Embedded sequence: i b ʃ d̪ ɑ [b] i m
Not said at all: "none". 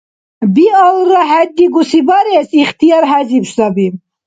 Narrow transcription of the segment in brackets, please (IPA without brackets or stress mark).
b